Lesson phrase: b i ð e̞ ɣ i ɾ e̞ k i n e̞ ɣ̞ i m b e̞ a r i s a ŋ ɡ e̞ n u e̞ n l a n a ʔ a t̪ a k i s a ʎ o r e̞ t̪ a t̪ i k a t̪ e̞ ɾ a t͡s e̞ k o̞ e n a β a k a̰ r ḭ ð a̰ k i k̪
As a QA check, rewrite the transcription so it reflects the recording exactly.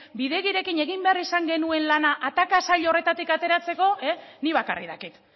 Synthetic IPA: b i ð e̞ ɣ i ɾ e̞ k i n e̞ ɣ̞ i m b e̞ a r i s a ŋ ɡ e̞ n u e̞ n l a n a ʔ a t̪ a k a s a ʎ o r e̞ t̪ a t̪ i k a t̪ e̞ ɾ a t͡s e̞ k o̞ e n i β a k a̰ r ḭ ð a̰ k i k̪